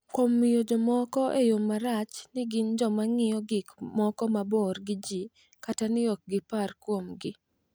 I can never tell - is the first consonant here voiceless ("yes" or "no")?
yes